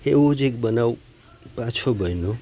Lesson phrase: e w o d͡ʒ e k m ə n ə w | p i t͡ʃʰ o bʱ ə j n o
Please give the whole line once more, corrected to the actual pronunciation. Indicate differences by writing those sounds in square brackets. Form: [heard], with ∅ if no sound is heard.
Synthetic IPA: e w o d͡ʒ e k [b] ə n [a] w | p [a] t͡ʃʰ o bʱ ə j n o